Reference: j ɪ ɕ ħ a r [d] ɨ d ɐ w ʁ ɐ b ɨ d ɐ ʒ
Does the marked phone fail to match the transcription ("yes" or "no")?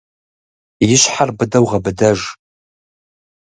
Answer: yes